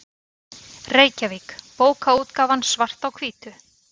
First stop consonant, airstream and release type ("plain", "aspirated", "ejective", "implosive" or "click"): plain